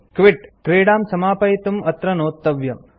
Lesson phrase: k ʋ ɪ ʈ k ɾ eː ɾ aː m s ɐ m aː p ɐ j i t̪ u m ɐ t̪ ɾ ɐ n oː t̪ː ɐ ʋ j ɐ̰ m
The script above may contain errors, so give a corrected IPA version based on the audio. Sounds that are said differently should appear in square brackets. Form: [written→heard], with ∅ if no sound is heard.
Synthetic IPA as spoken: k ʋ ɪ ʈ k ɾ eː [ɾ→ɽ] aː m s ɐ m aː p ɐ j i t̪ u m ɐ t̪ ɾ ɐ n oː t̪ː ɐ ʋ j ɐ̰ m